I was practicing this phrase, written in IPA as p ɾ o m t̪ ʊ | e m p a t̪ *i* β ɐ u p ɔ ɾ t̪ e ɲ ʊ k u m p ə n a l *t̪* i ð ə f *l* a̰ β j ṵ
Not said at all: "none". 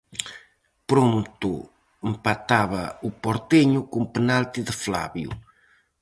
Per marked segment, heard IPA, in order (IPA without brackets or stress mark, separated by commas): a, t̪, l